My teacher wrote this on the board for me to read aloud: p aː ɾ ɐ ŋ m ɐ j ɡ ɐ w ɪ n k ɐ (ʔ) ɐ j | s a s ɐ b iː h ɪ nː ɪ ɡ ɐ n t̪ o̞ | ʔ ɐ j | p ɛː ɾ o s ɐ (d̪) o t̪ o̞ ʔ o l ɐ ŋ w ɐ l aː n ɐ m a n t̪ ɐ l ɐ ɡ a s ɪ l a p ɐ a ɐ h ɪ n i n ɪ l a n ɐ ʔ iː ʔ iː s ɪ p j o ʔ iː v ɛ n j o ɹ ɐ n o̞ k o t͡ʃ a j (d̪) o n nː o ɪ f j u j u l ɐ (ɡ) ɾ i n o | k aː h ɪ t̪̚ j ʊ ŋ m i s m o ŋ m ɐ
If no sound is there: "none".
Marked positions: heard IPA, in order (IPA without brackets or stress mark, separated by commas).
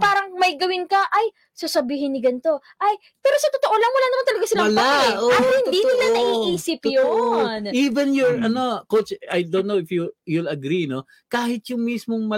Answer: ʔ, t̪, d̪, ɡ